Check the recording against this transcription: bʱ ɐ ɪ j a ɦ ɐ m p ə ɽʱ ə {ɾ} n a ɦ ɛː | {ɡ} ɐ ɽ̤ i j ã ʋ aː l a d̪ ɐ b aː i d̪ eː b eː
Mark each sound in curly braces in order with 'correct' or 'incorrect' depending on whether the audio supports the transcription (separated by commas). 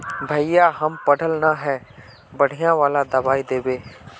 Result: incorrect, incorrect